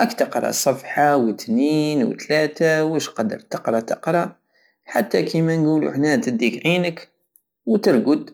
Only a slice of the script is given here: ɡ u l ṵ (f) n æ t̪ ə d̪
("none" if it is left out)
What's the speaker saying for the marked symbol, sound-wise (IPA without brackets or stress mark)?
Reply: ħ